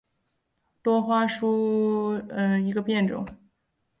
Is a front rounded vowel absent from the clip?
yes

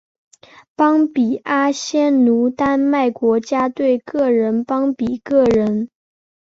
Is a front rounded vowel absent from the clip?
yes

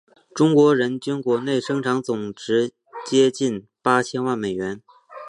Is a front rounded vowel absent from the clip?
no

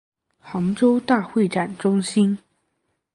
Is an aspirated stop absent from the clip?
yes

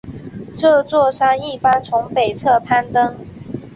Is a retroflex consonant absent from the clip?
no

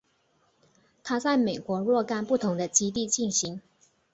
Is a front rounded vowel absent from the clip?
yes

